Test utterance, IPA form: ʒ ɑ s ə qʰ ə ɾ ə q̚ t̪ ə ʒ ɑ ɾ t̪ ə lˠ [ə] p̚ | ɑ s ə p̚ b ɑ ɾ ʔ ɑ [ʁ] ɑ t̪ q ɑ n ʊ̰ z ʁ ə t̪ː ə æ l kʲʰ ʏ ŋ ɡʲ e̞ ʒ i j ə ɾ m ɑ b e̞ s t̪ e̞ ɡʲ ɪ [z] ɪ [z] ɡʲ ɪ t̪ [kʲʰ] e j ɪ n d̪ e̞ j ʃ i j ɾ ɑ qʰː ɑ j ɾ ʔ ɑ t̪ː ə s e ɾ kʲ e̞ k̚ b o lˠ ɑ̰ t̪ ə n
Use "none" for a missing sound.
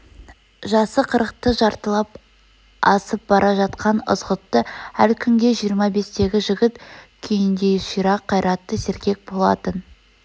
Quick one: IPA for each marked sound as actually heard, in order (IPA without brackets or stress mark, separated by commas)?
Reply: ɑ, ʒ, ʒ, none, kʲʰ